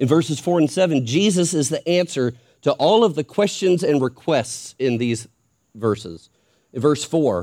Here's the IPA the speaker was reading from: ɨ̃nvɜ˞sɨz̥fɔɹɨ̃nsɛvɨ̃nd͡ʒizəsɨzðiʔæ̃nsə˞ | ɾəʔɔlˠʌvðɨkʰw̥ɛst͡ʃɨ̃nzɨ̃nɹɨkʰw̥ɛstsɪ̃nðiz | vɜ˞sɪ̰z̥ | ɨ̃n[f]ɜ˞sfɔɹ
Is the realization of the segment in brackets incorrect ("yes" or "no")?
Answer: yes